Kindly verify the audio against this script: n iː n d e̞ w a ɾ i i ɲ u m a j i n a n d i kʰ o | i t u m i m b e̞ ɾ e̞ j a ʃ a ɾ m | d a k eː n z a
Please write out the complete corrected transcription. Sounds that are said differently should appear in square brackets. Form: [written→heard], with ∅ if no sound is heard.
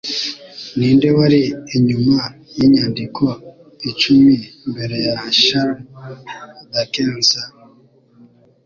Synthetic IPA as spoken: n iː n d e̞ w a ɾ i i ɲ u m a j i [n→ɲ] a n d i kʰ o | i [t→t͡ʃ] u m i m b e̞ ɾ e̞ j a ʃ a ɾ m | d a k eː n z a